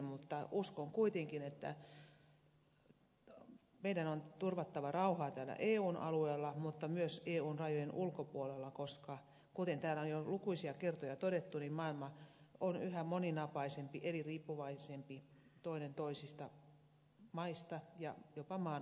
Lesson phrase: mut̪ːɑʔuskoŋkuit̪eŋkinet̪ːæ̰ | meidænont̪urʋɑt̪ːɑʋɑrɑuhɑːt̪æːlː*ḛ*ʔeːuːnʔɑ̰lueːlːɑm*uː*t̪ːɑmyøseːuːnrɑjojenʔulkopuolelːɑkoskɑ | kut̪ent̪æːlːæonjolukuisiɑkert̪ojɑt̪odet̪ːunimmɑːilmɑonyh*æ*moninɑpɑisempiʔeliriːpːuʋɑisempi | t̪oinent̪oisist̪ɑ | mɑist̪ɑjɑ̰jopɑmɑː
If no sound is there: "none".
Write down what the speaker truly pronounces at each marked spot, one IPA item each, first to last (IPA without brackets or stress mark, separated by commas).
æ̰, u, æ